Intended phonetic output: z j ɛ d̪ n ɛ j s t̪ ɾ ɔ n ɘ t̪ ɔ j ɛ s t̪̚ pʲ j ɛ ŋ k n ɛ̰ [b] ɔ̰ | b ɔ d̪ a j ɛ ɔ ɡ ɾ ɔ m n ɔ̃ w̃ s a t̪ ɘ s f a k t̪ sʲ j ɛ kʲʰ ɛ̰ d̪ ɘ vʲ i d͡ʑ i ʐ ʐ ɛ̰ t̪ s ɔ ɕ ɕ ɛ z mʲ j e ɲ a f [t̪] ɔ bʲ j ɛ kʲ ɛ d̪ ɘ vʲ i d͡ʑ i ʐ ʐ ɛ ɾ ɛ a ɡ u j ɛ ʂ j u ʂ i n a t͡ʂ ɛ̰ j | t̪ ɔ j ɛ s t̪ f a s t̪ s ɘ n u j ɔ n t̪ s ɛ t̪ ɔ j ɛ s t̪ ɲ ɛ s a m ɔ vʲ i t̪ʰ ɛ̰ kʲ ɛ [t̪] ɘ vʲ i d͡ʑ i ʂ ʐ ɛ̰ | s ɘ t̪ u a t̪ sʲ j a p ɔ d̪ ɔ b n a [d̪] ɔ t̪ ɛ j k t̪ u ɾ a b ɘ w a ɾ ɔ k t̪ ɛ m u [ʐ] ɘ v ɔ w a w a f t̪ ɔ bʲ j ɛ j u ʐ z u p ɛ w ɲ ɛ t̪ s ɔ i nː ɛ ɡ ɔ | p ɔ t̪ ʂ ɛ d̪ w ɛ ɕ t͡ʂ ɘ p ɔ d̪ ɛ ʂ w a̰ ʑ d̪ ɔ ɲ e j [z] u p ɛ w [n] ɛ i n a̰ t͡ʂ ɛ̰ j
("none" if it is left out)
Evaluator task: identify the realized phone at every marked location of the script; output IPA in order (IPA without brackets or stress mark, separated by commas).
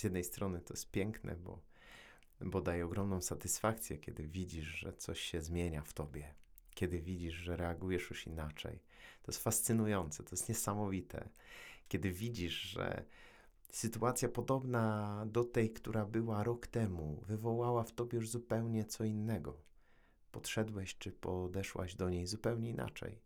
b, t̪, d̪, d̪, v, z, ɲ